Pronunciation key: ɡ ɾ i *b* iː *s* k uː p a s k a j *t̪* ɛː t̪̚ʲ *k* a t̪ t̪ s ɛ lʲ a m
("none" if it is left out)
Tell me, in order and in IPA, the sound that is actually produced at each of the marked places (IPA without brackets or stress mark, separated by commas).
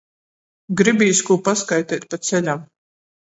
b, s, t̪, p